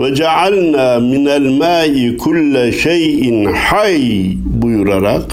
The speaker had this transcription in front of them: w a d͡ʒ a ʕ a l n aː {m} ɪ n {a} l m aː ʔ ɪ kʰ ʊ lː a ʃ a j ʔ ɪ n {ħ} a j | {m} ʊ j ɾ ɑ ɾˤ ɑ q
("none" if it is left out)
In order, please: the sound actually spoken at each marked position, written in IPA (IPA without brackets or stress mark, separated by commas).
m, a, ħ, b